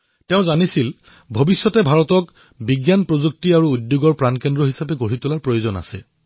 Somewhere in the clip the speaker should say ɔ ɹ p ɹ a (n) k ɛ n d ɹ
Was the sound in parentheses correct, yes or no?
yes